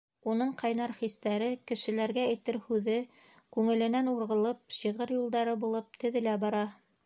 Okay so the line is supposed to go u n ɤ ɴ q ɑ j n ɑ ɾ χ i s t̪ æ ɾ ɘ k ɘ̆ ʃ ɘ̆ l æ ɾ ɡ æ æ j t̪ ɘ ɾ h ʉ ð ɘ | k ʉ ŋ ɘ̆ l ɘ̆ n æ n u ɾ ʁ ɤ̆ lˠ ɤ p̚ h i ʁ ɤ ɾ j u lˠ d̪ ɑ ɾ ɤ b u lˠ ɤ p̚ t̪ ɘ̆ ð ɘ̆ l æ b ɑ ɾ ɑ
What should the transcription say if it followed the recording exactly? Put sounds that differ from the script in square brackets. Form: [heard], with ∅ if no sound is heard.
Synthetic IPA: u n ɤ ɴ q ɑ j n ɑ ɾ χ i s t̪ æ ɾ ɘ k ɘ̆ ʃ ɘ̆ l æ ɾ ɡ æ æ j t̪ ɘ ɾ h ʉ ð ɘ | k ʉ ŋ ɘ̆ l ɘ̆ n æ n u ɾ ʁ ɤ̆ lˠ ɤ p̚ [ɕ] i ʁ ɤ ɾ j u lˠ d̪ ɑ ɾ ɤ b u lˠ ɤ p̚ t̪ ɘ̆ ð ɘ̆ l æ b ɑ ɾ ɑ